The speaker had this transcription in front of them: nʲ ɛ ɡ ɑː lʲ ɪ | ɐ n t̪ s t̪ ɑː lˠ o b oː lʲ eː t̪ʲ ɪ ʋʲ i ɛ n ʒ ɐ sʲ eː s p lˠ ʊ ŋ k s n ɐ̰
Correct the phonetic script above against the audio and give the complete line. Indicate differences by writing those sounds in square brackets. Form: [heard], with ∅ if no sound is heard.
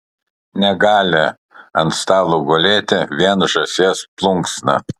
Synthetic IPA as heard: nʲ ɛ ɡ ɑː lʲ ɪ | ɐ n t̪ s t̪ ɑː lˠ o [ɡ] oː lʲ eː t̪ʲ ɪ ʋʲ i ɛ n ʒ ɐ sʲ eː s p lˠ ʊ ŋ k s n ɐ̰